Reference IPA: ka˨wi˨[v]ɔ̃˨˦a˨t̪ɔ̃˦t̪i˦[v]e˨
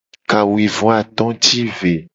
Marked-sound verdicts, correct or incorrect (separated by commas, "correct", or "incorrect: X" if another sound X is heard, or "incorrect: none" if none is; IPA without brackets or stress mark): correct, correct